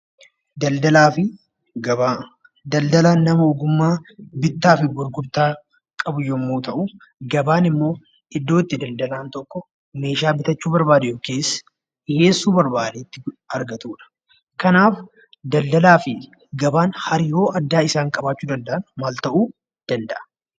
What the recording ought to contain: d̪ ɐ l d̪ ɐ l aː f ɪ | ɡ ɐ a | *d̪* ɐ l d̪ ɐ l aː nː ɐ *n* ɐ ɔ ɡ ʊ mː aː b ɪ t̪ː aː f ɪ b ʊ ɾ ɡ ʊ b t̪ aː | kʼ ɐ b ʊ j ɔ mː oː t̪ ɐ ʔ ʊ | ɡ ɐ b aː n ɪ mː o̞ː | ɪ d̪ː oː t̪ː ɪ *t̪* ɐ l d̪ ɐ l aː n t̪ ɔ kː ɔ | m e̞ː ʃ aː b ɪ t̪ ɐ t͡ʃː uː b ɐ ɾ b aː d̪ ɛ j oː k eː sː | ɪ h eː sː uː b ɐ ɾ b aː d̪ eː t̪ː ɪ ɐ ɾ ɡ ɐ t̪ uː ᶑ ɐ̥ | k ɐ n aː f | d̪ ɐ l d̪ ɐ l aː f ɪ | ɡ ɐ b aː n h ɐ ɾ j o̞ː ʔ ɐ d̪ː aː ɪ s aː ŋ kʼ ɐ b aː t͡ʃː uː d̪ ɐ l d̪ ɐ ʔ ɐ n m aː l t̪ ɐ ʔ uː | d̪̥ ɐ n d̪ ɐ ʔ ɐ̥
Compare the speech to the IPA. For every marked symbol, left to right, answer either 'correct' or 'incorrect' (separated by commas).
correct, incorrect, incorrect